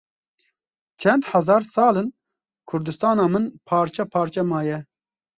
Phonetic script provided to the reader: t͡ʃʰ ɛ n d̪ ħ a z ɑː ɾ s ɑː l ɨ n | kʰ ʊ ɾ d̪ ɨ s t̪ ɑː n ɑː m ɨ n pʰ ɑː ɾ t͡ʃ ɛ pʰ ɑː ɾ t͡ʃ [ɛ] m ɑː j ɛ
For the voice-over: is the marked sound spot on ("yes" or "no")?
yes